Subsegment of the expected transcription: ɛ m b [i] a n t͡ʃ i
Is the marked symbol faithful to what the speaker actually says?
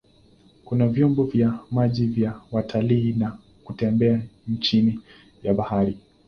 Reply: no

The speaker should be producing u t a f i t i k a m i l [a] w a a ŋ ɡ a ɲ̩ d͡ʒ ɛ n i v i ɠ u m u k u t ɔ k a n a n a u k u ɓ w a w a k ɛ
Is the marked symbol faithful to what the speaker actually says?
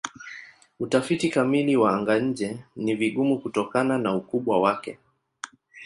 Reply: no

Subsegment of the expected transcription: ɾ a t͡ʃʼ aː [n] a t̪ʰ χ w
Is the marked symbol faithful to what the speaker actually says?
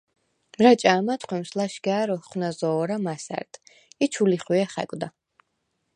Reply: no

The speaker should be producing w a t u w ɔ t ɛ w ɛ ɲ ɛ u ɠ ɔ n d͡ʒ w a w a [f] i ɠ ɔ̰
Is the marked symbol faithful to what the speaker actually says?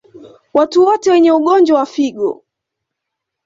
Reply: yes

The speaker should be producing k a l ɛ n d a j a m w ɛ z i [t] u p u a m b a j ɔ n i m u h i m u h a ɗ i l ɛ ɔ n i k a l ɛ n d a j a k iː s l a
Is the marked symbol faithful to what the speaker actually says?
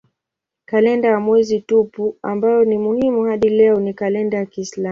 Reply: yes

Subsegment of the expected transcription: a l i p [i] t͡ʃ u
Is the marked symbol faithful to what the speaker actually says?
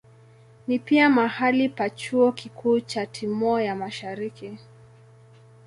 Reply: no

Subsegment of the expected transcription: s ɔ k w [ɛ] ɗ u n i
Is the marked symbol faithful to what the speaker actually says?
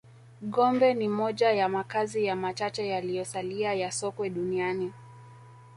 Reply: yes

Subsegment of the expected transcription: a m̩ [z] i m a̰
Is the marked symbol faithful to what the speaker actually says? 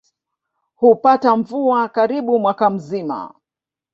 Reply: yes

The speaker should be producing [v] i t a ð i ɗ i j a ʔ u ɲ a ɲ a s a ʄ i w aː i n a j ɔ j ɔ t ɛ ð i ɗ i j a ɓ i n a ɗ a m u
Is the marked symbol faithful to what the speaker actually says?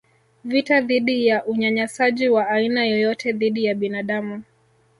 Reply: yes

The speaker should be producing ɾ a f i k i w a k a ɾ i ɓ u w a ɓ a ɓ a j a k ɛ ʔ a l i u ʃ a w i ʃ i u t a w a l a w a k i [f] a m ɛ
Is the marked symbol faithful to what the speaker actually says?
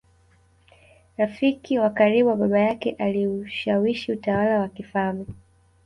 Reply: yes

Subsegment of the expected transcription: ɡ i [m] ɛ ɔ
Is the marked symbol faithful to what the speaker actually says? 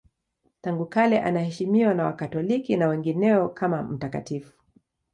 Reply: no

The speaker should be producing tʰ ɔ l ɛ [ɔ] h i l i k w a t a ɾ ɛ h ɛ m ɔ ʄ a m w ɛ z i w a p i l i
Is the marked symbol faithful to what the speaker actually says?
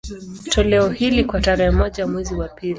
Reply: yes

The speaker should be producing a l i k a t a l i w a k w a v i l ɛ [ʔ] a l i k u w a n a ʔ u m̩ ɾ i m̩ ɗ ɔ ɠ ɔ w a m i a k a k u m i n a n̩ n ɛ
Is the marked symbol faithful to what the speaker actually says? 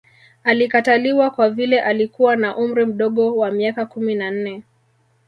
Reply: yes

